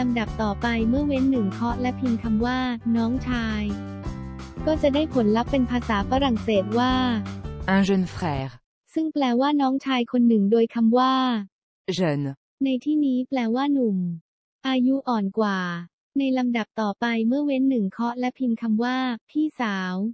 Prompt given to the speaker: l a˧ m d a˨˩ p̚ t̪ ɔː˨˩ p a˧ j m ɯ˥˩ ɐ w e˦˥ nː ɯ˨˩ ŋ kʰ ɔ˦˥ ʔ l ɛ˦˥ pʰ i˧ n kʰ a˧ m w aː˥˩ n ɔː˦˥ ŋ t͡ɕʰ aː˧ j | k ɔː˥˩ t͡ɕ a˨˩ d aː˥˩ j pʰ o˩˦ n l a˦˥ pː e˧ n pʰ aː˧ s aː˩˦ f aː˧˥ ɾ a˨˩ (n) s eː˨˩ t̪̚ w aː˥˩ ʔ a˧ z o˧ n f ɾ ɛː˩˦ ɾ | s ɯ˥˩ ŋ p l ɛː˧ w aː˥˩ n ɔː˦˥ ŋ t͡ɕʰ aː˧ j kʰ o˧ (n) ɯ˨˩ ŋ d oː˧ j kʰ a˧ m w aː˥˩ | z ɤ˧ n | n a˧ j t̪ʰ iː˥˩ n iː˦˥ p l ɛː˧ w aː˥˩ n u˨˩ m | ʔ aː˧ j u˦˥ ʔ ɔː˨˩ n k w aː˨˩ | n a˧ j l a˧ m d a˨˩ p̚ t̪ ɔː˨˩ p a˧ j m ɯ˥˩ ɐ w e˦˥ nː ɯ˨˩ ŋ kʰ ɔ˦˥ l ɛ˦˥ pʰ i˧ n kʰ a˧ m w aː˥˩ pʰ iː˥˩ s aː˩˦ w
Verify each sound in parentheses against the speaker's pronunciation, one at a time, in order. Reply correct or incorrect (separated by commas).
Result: incorrect, incorrect